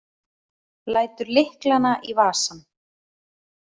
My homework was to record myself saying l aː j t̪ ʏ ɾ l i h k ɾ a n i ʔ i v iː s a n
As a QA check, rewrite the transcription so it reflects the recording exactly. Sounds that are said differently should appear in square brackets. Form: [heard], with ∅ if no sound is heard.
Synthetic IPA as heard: l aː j t̪ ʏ ɾ l [ɪ] h k [l] a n [a] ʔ i v [aː] s a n